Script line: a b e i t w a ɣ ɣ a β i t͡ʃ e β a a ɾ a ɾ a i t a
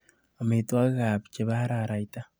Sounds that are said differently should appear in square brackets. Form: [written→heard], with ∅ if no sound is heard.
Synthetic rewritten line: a [b→m] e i t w a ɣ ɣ a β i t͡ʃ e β a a ɾ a ɾ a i t a

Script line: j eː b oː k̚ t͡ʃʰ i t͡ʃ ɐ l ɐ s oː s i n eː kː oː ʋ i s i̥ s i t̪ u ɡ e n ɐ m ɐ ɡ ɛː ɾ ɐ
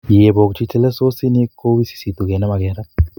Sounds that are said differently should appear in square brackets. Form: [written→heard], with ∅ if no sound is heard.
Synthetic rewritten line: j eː b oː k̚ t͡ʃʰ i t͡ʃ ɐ l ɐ s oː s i n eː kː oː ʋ i s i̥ s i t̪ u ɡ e n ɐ m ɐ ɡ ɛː ɾ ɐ

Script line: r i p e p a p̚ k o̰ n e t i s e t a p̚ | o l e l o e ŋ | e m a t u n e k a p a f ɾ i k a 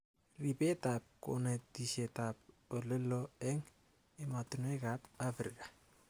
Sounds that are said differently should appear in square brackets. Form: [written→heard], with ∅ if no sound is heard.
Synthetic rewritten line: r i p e [p→t] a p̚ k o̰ n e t i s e t a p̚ | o l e l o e ŋ | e m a t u n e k a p a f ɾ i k a

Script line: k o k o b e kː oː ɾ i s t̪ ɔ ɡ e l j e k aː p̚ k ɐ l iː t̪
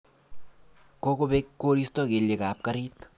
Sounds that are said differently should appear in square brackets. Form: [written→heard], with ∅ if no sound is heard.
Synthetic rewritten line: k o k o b e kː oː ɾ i s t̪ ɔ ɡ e l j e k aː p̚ k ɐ [l→ɾ] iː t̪

